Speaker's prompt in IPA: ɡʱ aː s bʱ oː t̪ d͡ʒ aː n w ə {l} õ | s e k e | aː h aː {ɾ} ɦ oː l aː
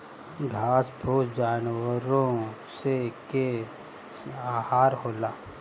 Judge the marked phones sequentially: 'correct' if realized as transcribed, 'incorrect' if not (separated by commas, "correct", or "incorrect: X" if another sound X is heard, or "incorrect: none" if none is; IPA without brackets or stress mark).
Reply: incorrect: ɾ, correct